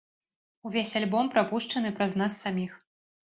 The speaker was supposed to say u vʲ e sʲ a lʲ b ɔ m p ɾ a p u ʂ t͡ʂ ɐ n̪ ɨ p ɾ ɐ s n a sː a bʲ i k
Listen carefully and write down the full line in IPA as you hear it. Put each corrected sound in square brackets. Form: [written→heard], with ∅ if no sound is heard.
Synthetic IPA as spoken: u vʲ e sʲ a lʲ b ɔ m p ɾ a p u ʂ t͡ʂ ɐ n̪ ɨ p ɾ ɐ [s→z] n a sː a [bʲ→mʲ] i [k→x]